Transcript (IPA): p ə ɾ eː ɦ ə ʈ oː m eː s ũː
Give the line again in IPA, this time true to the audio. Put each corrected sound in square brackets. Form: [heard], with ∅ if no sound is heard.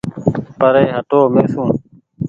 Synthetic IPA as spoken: p ə ɾ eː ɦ ə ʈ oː m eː s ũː

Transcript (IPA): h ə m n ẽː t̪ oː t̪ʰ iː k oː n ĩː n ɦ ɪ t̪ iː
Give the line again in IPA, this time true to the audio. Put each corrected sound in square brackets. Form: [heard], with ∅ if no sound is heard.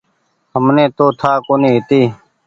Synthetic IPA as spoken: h ə m n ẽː t̪ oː t̪ʰ [aː] k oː n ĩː [∅] ɦ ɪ t̪ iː

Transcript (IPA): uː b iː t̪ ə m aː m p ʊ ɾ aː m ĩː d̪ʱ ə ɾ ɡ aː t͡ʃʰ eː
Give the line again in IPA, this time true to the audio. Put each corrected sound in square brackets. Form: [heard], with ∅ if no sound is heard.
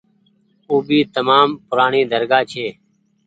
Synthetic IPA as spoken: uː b iː t̪ ə m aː m p ʊ ɾ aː [ɳ] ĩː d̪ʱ ə ɾ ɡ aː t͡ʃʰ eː

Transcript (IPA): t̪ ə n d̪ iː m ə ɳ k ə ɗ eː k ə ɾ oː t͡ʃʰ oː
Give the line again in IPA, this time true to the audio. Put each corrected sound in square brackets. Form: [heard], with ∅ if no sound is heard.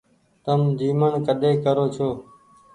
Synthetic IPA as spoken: t̪ ə [m] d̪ iː m ə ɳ k ə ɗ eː k ə ɾ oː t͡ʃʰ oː

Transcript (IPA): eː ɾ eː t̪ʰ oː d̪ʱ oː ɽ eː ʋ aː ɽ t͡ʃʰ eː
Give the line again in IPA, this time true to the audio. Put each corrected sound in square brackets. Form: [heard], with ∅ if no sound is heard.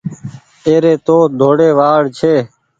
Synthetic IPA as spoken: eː ɾ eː [t̪] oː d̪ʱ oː ɽ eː ʋ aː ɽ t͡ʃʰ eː

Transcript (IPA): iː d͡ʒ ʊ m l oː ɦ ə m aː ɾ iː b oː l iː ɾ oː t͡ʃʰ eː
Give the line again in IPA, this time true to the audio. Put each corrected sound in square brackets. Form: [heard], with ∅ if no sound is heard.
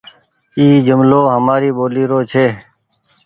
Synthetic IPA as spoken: iː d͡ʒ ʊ m l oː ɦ ə m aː ɾ iː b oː l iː ɾ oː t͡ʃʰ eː

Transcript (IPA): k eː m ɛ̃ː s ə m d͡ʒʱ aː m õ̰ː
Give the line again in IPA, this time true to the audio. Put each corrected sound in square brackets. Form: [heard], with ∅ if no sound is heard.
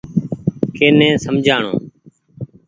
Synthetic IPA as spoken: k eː [n] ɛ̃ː s ə m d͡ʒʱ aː [ɳ] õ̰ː

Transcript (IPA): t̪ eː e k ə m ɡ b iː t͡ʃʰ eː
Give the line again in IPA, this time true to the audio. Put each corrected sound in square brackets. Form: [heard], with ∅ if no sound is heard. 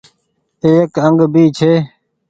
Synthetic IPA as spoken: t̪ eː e k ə [ŋ] ɡ b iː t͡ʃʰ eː

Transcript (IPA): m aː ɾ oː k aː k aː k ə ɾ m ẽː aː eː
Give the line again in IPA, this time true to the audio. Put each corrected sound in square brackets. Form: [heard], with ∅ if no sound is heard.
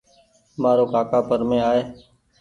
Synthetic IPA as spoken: m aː ɾ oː k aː k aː [p] ə ɾ m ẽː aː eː

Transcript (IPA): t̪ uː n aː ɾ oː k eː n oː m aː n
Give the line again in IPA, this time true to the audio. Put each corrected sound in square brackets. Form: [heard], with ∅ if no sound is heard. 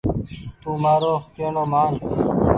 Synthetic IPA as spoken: t̪ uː [m] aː ɾ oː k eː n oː m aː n

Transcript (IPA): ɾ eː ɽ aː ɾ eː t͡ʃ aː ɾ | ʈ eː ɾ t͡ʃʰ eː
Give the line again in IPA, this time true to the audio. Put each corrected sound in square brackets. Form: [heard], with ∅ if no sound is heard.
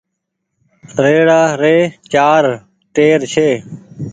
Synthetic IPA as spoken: ɾ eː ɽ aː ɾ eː t͡ʃ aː ɾ | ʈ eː ɾ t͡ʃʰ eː

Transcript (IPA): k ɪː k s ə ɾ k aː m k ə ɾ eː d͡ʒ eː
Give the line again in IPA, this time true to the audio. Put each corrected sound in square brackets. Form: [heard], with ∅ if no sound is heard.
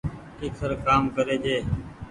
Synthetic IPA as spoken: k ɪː k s ə ɾ k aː m k ə ɾ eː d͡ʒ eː

